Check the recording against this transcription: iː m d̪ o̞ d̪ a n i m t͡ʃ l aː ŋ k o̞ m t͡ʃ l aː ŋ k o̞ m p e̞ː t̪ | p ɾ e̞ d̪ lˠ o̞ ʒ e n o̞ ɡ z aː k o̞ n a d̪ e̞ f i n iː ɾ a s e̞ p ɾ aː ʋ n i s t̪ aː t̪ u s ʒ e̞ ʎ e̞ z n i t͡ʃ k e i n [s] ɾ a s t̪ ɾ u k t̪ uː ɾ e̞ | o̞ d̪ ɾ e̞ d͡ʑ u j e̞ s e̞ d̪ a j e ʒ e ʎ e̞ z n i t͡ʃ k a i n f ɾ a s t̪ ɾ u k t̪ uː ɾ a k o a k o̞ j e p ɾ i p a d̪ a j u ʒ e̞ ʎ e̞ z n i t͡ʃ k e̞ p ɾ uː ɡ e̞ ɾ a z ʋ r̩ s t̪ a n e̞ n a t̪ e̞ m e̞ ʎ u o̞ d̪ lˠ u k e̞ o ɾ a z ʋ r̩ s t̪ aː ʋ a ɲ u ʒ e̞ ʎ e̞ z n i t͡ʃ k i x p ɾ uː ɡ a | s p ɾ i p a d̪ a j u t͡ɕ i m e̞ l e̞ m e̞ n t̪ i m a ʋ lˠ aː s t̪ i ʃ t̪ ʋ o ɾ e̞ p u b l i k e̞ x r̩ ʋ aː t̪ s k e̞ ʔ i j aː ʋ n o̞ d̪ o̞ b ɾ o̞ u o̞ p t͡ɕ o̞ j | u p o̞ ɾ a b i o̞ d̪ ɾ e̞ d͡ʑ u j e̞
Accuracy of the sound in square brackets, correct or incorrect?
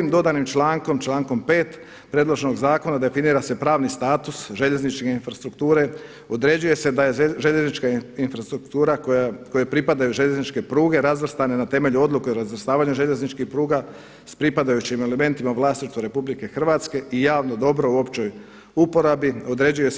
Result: incorrect